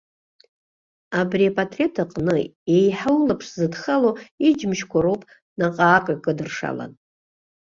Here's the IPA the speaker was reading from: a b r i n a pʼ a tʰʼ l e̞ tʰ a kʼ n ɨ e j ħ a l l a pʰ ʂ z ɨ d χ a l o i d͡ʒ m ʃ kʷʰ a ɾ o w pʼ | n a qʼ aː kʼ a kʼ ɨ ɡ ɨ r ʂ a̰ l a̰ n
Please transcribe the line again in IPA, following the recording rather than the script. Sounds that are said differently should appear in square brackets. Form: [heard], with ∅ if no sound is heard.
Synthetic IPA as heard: a b r i [∅] a pʼ a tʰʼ [r] e̞ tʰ a [qʼ] n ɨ e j ħ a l l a pʰ ʂ z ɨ d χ a l o i d͡ʒ m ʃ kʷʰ a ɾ o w pʼ | n a qʼ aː kʼ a kʼ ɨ [d] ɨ r ʂ a̰ l a̰ n